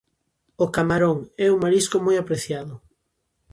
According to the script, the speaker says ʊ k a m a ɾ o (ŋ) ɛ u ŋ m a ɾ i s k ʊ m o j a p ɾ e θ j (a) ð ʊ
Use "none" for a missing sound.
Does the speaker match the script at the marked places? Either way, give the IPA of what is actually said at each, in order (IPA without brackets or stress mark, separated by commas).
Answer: ŋ, a